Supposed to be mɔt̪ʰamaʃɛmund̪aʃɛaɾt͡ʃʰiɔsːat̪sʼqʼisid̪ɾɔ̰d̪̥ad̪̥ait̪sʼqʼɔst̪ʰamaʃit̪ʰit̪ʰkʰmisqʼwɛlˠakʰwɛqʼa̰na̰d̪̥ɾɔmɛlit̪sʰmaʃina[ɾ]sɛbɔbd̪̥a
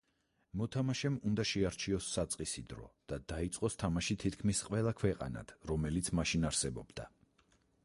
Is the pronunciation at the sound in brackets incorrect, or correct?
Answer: correct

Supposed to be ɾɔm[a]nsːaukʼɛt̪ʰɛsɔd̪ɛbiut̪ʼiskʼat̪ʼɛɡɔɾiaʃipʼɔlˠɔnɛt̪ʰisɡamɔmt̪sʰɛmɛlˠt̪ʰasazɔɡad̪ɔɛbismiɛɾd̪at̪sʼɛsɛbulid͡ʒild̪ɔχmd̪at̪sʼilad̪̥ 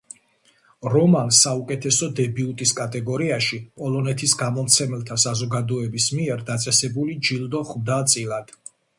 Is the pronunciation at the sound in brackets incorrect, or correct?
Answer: correct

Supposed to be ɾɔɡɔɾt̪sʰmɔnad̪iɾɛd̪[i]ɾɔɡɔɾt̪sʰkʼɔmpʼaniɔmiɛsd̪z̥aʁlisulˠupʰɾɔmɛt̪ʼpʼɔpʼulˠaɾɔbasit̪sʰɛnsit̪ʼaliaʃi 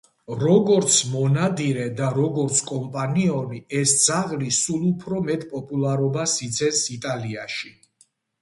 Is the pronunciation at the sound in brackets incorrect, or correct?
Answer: incorrect: a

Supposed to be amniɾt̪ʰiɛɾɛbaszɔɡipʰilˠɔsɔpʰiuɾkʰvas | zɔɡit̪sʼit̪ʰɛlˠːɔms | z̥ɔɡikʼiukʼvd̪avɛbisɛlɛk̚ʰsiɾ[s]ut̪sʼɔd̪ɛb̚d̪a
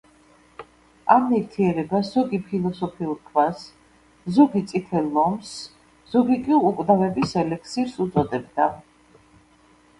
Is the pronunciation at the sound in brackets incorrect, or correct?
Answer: correct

